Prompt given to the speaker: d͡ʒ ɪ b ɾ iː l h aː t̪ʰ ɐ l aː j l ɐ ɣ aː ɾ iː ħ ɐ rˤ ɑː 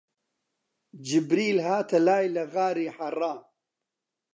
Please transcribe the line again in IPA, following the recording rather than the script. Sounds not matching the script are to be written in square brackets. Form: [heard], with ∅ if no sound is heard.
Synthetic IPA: d͡ʒ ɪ b ɾ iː l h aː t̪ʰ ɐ l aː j l ɐ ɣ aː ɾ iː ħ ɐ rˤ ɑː